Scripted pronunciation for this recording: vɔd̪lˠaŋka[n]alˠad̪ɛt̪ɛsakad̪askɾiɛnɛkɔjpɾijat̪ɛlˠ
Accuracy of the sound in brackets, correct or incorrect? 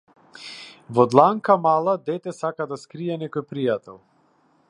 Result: incorrect